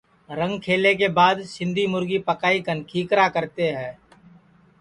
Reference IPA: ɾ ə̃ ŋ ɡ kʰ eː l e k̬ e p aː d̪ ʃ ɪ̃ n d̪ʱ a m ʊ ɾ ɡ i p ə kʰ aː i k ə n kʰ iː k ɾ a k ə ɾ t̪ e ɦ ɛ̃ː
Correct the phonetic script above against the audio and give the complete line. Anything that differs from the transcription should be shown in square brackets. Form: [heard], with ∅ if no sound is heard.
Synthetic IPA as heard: ɾ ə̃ ŋ ɡ kʰ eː l e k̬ e [b] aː d̪ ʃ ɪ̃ n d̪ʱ [i] m ʊ ɾ ɡ i p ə [k] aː i k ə n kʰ iː k ɾ a k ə ɾ t̪ e ɦ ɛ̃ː